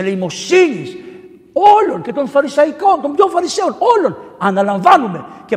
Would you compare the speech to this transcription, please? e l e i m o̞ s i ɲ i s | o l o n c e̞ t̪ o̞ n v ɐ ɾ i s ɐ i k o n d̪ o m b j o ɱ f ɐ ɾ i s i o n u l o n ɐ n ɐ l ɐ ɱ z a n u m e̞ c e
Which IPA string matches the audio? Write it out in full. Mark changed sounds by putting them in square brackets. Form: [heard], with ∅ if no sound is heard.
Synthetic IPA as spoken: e l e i m o̞ s i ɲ i s | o l o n c e̞ t̪ o̞ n [f] ɐ ɾ i s ɐ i k o n [t̪] o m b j o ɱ f ɐ ɾ i s [e] o n [o] l o n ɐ n ɐ l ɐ ɱ [v] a n u m e̞ c e